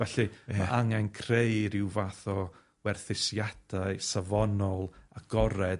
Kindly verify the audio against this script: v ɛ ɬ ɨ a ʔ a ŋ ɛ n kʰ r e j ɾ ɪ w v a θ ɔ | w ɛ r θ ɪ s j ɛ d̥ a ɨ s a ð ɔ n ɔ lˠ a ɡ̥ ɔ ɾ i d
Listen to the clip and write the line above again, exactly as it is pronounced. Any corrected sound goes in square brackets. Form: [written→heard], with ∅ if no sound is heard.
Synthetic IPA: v ɛ ɬ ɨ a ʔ a ŋ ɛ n kʰ r e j ɾ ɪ w v a θ ɔ | w ɛ r θ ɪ s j [ɛ→a] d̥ a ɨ s a [ð→v] ɔ n ɔ lˠ a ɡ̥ ɔ ɾ [i→ɛ] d